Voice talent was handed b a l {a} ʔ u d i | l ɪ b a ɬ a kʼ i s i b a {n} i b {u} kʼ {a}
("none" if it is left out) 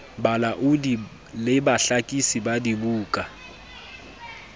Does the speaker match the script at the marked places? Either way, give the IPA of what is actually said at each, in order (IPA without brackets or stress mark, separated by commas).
a, d, uː, a